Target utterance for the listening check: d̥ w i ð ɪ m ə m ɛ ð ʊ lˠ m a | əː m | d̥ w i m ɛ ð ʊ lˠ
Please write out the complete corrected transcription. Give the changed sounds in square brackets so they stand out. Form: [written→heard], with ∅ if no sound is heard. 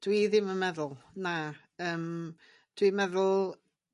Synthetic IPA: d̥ w i ð ɪ m ə m ɛ ð ʊ lˠ [m→n] a | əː m | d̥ w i m ɛ ð ʊ lˠ